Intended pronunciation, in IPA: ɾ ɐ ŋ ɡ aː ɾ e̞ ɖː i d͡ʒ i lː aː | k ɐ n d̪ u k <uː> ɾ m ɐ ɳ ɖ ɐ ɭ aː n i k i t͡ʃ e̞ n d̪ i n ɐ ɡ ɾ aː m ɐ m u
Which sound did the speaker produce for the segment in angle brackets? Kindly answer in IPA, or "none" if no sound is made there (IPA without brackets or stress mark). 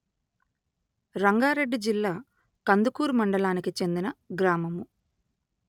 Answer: uː